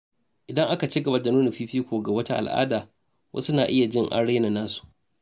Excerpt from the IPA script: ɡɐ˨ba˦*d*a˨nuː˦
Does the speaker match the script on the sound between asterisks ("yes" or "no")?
yes